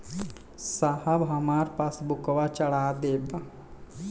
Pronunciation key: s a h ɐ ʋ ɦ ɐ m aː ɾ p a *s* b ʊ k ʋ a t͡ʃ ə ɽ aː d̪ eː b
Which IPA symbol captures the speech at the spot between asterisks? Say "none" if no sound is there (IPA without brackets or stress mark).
s